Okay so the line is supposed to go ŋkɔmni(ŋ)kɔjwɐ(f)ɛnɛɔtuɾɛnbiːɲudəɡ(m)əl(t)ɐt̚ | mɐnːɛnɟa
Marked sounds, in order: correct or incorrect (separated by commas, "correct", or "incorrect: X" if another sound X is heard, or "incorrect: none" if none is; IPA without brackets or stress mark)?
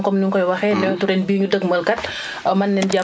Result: correct, incorrect: x, correct, incorrect: k